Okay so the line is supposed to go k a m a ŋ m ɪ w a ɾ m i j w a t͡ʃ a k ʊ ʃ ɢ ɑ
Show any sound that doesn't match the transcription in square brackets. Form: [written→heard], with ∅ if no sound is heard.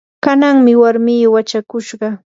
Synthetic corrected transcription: k a [m→n] a ŋ m ɪ w a ɾ m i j w a t͡ʃ a k ʊ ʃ ɢ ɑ